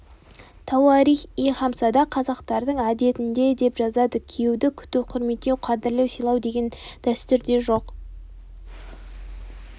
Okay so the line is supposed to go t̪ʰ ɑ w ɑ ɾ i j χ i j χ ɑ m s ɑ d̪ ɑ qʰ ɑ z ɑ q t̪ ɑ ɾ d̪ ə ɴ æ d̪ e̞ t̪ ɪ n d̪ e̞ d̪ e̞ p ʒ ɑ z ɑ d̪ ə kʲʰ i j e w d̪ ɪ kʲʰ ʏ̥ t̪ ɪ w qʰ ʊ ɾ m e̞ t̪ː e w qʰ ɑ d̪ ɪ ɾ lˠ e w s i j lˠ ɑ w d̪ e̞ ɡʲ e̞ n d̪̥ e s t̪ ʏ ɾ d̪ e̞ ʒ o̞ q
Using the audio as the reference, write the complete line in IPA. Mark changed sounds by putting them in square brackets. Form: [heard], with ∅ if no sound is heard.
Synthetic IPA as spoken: t̪ʰ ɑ w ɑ ɾ i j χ i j χ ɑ m s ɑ d̪ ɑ qʰ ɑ z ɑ q t̪ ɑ ɾ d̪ ə ɴ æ d̪ e̞ t̪ ɪ n d̪ e̞ d̪ e̞ p ʒ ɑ z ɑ d̪ ə kʲʰ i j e w d̪ ɪ kʲʰ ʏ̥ t̪ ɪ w qʰ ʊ ɾ m e̞ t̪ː e w qʰ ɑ d̪ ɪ ɾ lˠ e w s i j lˠ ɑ w d̪ e̞ ɡʲ e̞ n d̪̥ [æ] s t̪ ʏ ɾ d̪ e̞ ʒ o̞ q